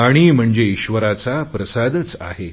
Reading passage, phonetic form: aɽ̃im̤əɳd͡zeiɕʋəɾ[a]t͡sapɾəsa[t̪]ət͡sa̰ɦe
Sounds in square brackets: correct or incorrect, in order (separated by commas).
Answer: correct, incorrect